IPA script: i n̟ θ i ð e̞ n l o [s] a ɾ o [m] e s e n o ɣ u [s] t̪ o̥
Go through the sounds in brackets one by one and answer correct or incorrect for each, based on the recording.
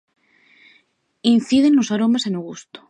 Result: correct, correct, correct

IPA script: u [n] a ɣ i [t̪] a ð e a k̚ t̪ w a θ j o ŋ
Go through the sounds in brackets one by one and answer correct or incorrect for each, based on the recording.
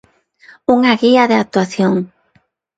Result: incorrect: ŋ, incorrect: none

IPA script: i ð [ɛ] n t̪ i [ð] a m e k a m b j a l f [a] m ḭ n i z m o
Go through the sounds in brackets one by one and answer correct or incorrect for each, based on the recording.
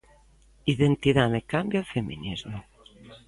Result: incorrect: e, correct, incorrect: e

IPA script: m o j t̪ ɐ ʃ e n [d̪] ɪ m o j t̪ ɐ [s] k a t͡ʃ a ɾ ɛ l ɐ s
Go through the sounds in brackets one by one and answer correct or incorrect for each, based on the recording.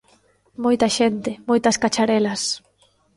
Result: incorrect: t̪, correct

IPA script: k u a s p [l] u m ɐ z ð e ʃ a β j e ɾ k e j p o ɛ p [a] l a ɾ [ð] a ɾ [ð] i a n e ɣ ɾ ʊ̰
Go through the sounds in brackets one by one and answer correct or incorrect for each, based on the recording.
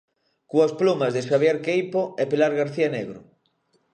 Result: correct, incorrect: e, incorrect: ɣ, incorrect: θ

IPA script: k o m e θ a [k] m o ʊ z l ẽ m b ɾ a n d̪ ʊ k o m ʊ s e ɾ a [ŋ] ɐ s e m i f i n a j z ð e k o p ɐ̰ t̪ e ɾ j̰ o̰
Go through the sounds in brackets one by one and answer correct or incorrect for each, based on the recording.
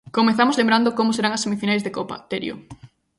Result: incorrect: none, correct

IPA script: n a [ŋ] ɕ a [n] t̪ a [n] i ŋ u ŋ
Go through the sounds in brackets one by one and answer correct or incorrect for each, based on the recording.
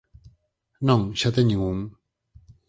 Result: correct, incorrect: none, incorrect: ɲ

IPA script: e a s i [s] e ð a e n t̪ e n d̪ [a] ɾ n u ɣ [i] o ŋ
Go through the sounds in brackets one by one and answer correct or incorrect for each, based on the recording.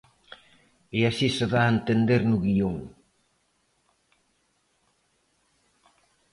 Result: correct, incorrect: e, correct

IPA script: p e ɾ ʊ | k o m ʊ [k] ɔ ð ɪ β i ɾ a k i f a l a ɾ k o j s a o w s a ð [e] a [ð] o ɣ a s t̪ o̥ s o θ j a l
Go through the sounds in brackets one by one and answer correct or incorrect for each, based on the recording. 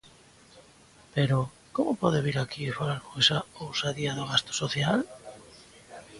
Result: incorrect: p, incorrect: i, correct

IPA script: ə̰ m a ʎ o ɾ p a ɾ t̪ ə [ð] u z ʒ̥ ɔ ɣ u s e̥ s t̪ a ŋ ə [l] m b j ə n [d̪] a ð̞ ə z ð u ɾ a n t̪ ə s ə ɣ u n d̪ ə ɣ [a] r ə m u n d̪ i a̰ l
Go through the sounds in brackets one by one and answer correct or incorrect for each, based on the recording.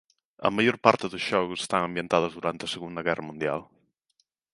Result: correct, incorrect: none, incorrect: t̪, incorrect: ɛ

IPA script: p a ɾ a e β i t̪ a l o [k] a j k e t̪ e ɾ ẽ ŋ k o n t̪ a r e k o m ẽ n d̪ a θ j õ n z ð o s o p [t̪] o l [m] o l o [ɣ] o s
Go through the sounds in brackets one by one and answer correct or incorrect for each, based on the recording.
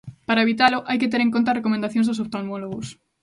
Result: incorrect: ʔ, correct, correct, correct

